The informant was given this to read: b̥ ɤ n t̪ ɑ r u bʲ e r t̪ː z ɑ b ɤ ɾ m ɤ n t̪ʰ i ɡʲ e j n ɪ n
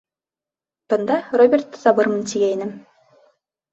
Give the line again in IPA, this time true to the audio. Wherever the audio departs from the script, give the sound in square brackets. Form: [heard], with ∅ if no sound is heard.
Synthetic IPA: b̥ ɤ n [d̪] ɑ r [o] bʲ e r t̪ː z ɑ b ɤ ɾ m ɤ n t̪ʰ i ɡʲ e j n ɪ [m]